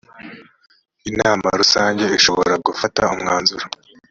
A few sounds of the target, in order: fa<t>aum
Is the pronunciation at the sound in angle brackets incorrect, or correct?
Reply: correct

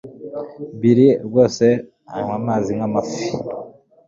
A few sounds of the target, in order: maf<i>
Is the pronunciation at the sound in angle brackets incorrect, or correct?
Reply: correct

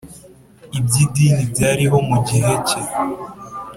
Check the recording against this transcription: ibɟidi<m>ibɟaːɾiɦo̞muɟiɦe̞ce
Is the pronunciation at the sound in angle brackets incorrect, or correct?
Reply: incorrect: n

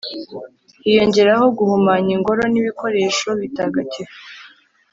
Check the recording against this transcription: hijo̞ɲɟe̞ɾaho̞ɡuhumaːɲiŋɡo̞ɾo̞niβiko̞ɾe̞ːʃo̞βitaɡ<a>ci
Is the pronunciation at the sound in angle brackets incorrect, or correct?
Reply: correct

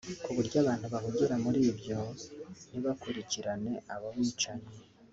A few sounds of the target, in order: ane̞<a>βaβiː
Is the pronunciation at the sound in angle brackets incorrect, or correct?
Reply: correct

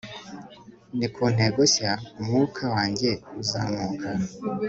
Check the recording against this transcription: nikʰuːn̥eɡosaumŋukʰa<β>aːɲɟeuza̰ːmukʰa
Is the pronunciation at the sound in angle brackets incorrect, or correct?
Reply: incorrect: w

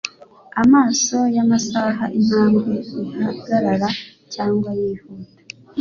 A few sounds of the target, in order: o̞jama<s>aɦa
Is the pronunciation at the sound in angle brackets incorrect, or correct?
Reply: correct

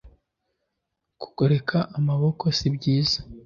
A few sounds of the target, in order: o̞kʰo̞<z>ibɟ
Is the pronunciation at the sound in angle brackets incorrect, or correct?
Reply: incorrect: s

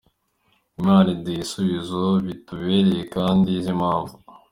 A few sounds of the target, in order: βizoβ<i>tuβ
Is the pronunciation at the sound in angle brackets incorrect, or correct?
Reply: correct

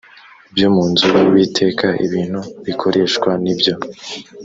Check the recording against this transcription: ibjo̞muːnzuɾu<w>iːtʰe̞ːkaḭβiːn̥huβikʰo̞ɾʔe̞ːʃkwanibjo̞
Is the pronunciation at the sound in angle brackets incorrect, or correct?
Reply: correct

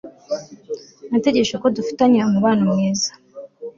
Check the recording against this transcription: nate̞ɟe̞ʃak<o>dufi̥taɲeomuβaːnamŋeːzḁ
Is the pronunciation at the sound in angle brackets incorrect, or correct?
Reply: correct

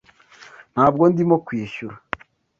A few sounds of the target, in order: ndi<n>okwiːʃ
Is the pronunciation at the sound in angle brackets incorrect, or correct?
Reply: incorrect: m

